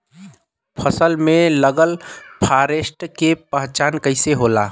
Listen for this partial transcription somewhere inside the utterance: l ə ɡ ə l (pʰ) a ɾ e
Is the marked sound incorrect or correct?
correct